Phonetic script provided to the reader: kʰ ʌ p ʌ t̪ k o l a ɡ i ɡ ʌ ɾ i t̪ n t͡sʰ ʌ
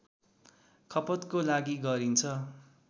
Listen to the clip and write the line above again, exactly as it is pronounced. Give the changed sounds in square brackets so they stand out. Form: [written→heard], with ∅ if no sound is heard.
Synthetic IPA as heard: kʰ ʌ p ʌ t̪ k o l a ɡ i ɡ ʌ ɾ i [t̪→∅] n t͡sʰ ʌ